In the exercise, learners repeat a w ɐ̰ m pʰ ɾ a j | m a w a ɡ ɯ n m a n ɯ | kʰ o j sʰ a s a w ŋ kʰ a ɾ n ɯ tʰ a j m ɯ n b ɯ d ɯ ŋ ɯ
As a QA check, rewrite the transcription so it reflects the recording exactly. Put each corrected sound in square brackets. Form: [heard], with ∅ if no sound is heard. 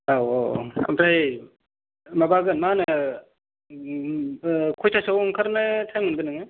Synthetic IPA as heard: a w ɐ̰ m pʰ ɾ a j | m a [b] a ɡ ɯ n m a n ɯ | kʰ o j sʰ a s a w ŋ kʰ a ɾ n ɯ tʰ a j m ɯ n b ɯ [n] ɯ ŋ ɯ